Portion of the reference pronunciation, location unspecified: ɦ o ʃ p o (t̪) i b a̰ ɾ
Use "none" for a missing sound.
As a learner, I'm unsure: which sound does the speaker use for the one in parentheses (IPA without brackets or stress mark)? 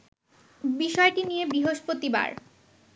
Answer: t̪